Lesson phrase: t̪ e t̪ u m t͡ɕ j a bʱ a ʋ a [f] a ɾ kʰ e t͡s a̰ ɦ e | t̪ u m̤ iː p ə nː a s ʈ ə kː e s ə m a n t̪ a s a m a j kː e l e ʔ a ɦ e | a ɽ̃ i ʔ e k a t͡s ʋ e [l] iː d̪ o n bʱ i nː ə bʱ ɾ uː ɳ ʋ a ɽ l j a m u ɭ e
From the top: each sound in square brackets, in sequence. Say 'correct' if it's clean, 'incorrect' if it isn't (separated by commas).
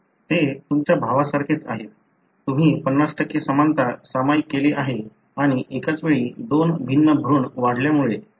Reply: incorrect, incorrect